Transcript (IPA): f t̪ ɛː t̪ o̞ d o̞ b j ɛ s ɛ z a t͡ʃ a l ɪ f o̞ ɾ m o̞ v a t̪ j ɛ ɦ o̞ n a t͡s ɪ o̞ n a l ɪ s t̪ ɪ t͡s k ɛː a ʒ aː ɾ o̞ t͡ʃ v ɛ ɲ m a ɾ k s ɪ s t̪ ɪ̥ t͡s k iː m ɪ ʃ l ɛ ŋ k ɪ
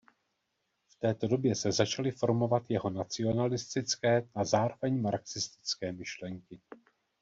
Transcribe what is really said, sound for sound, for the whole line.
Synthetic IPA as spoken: f t̪ ɛː t̪ o̞ d o̞ b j ɛ s ɛ z a t͡ʃ a l ɪ f o̞ ɾ m o̞ v a t̪ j ɛ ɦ o̞ n a t͡s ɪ o̞ n a l ɪ s t̪ ɪ t͡s k ɛː a z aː ɾ o̞ v ɛ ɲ m a ɾ k s ɪ s t̪ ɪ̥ t͡s k ɛː m ɪ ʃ l ɛ ŋ k ɪ